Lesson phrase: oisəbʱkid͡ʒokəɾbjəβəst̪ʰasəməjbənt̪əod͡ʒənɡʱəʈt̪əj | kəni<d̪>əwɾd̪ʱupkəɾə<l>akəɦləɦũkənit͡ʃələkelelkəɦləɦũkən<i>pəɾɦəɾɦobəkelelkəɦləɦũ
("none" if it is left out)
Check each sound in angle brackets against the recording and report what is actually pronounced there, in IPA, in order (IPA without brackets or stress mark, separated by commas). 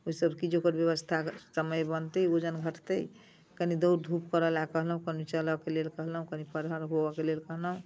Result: d̪, l, i